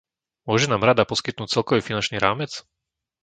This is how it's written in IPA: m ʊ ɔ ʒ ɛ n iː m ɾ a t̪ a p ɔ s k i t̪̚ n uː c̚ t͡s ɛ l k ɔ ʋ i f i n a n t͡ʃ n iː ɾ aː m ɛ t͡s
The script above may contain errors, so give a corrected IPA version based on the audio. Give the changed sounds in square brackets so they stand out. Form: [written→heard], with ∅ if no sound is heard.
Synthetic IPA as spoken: m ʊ ɔ ʒ ɛ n [iː→aː] m ɾ a [t̪→d̪] a p ɔ s k i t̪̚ n uː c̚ t͡s ɛ l k ɔ ʋ i f i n a n t͡ʃ n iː ɾ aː m ɛ t͡s